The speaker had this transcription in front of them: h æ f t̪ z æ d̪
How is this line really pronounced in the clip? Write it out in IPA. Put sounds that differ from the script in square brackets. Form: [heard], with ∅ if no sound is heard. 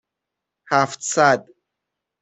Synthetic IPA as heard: h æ f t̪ [s] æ d̪